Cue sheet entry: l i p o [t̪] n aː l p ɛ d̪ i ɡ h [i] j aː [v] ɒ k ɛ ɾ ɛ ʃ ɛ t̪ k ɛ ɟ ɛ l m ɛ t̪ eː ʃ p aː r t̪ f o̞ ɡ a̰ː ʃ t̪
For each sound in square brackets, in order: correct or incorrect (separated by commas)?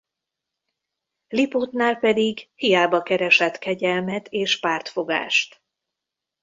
correct, correct, incorrect